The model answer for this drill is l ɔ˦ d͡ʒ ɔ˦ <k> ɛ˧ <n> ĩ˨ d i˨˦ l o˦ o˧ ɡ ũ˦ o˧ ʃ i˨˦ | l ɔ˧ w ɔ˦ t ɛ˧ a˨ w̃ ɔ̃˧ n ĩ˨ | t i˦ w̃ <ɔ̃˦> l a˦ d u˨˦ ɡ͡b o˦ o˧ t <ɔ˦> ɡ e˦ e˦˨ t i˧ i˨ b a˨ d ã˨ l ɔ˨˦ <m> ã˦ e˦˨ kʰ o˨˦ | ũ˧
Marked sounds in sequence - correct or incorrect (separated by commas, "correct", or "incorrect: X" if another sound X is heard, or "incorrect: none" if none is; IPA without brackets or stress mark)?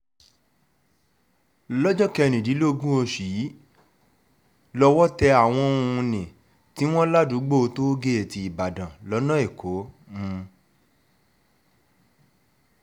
correct, correct, correct, incorrect: o˦, incorrect: n